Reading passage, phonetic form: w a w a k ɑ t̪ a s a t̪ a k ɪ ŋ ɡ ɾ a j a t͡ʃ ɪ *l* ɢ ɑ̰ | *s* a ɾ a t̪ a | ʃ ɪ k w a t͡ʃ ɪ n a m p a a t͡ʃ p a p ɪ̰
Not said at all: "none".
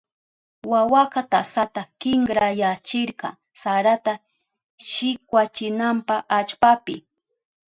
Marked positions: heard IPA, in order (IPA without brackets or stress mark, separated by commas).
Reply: ɾ, s